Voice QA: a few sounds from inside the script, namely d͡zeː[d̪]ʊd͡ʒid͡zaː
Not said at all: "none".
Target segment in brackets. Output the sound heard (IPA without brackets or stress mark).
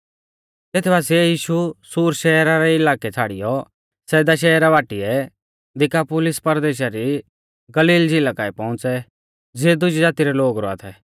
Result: d̪